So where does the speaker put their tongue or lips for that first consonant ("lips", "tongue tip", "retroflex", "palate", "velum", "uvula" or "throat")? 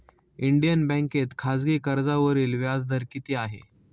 retroflex